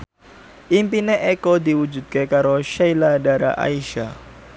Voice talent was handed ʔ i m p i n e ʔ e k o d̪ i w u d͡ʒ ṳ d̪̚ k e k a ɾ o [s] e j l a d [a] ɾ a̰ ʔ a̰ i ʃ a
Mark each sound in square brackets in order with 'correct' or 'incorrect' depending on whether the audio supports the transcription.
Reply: incorrect: ʃ, correct

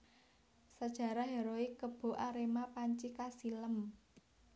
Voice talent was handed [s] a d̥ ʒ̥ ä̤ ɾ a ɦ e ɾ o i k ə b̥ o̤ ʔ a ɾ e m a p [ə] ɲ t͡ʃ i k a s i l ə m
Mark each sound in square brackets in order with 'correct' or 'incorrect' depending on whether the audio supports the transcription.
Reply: correct, incorrect: a

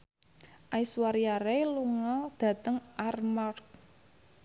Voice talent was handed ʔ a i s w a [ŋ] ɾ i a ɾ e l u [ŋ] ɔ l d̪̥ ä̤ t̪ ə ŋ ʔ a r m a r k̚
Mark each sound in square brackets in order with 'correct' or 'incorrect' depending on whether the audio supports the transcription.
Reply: incorrect: none, correct

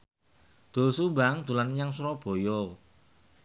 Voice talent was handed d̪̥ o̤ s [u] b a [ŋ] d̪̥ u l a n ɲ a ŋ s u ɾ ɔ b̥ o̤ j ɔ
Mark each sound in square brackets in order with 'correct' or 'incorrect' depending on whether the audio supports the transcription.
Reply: correct, correct

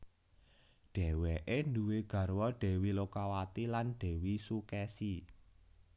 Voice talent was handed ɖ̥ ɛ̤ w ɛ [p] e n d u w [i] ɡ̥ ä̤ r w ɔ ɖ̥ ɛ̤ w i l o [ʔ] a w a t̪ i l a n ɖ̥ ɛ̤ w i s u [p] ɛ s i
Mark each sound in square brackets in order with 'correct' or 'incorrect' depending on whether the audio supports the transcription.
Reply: incorrect: ʔ, incorrect: e, incorrect: k, incorrect: k

